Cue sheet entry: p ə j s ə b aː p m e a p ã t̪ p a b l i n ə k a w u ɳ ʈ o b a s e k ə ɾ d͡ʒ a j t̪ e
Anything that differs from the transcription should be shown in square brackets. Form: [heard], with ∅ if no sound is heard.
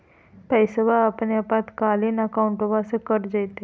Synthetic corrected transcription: p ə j s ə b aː p [n] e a p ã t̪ [k] a [∅] l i n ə k a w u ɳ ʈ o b a s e k ə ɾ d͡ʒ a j t̪ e